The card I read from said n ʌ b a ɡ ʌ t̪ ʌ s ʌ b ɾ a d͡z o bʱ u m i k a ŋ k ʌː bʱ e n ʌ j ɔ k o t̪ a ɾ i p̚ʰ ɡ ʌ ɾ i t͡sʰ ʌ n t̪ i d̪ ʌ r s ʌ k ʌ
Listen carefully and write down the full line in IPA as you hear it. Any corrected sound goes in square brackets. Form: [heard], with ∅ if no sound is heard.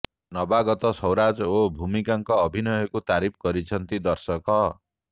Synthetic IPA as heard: n ʌ b a ɡ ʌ t̪ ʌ s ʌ [w] ɾ a d͡z o bʱ u m i k a ŋ k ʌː bʱ [i] n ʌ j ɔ k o t̪ a ɾ i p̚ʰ ɡ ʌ ɾ i t͡sʰ ʌ n t̪ i d̪ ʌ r s ʌ k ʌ